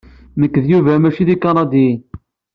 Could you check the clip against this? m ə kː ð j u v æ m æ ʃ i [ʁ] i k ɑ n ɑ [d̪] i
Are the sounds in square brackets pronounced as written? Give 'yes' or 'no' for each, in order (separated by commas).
no, yes